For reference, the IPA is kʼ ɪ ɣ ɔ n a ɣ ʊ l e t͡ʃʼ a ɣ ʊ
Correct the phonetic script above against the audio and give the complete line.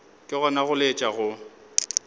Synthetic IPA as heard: kʼ ɪ ɣ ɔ n a ɣ ʊ l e t͡ʃʼ a ɣ ʊ